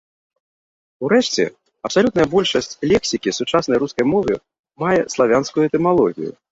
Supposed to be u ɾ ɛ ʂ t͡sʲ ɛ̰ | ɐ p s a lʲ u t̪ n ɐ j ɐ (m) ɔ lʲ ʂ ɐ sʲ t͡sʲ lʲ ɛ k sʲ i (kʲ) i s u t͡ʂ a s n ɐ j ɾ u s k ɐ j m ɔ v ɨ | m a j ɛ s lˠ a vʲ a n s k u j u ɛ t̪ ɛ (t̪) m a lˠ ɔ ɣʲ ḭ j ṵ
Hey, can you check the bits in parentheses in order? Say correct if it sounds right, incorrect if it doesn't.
incorrect: b, correct, incorrect: none

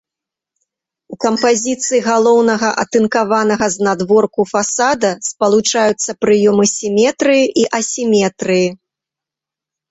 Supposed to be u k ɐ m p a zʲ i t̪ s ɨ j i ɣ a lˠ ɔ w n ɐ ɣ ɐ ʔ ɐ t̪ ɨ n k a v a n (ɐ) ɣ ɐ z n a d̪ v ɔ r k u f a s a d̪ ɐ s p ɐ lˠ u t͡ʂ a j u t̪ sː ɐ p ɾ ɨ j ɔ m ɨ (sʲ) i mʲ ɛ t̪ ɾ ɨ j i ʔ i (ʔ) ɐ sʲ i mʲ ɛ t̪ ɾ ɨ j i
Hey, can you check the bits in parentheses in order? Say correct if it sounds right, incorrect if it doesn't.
correct, correct, correct

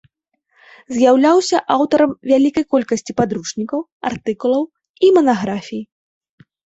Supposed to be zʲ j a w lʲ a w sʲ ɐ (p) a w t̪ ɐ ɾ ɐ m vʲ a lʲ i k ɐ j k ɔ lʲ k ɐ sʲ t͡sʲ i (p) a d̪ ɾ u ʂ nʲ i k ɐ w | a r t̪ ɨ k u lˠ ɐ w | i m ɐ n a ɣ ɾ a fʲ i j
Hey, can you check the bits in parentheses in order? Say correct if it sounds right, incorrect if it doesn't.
incorrect: ʔ, correct

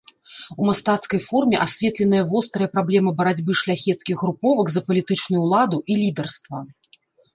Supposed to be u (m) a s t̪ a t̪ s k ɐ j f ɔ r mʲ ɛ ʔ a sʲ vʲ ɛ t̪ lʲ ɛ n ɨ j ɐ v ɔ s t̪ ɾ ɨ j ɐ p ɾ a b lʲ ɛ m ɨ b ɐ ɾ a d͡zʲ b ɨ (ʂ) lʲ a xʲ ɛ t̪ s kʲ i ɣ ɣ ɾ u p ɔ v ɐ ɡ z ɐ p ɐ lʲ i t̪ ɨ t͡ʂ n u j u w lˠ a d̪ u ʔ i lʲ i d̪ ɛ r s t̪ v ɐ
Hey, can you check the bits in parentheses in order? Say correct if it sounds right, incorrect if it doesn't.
correct, correct

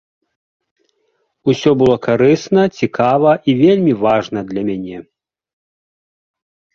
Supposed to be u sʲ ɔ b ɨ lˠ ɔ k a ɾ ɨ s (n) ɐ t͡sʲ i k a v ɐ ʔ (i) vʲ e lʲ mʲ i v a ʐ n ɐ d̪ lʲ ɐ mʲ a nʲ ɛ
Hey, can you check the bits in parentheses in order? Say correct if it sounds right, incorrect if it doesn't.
correct, correct

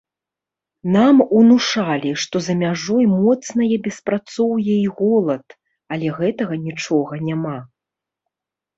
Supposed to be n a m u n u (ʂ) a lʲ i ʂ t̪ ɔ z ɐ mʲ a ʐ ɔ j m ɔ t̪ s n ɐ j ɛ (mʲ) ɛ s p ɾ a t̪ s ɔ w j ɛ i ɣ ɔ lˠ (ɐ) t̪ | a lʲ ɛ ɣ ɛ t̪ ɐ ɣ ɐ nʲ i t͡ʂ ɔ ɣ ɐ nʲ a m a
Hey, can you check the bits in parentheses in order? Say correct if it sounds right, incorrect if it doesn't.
correct, incorrect: bʲ, correct

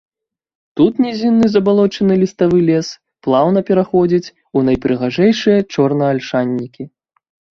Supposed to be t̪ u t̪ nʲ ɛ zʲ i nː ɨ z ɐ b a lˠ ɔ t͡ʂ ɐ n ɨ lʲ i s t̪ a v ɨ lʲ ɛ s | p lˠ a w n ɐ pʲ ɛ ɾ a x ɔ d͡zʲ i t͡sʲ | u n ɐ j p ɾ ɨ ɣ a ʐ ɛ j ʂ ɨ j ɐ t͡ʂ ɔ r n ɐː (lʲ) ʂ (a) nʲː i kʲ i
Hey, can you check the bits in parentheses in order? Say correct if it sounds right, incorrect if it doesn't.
correct, correct

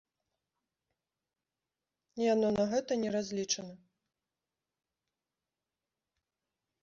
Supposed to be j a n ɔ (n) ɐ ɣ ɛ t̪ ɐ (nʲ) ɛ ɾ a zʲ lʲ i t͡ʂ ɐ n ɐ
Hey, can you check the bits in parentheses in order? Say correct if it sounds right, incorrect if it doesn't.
correct, correct

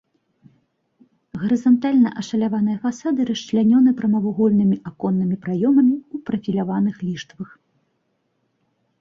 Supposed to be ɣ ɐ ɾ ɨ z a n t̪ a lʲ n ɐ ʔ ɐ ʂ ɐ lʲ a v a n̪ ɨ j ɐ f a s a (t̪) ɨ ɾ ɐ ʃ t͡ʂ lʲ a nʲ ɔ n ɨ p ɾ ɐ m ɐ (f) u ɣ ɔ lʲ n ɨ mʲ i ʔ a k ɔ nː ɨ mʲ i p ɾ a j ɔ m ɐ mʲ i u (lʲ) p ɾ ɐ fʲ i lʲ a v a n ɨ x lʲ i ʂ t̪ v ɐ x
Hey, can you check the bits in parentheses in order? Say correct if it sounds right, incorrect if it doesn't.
incorrect: d̪, incorrect: v, incorrect: none

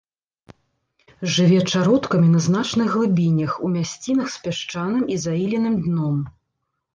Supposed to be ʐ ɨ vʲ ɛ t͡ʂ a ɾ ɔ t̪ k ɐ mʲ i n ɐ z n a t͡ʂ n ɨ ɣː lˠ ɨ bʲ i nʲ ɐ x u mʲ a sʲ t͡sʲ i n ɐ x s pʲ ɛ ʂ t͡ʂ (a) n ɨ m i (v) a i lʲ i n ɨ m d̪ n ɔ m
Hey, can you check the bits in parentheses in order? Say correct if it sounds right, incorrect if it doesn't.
correct, incorrect: z

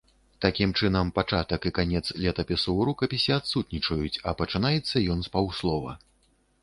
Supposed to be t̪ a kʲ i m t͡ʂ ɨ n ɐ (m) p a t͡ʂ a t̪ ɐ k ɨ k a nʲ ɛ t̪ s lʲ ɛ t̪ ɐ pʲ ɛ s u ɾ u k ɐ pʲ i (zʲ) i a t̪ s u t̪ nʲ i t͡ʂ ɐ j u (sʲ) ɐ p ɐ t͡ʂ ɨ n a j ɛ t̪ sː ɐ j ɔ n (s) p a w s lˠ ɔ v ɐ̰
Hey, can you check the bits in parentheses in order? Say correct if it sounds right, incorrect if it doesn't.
correct, incorrect: sʲ, incorrect: t͡sʲ, correct

